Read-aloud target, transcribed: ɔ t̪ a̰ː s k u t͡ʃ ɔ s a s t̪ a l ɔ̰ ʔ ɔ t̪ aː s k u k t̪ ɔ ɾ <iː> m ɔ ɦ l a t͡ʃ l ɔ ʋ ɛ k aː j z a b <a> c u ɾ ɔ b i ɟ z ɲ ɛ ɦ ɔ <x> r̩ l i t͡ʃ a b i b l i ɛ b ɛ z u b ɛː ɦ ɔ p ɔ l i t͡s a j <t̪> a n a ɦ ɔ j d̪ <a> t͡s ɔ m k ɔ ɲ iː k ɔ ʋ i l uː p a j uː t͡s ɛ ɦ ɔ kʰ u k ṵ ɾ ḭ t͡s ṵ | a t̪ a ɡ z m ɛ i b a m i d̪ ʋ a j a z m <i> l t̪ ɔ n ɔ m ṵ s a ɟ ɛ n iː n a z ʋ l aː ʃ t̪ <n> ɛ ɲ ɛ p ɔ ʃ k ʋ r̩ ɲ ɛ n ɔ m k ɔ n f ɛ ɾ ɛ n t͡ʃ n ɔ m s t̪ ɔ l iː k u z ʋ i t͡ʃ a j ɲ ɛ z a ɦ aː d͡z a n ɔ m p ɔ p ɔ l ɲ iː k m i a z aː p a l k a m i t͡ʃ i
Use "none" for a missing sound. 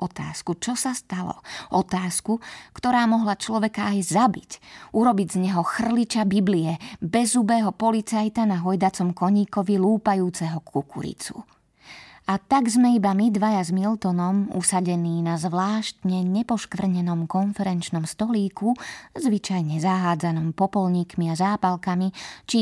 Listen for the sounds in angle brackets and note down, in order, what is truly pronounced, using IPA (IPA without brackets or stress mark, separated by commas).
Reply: aː, i, x, t̪, a, i, ɲ